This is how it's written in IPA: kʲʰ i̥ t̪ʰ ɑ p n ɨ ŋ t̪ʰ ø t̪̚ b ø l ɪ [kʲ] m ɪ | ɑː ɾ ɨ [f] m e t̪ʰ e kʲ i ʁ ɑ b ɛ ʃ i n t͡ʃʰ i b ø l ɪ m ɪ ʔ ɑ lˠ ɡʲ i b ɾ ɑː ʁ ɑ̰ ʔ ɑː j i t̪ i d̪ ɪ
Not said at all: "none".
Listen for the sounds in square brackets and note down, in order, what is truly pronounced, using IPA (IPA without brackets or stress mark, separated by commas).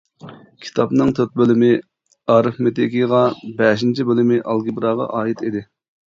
none, f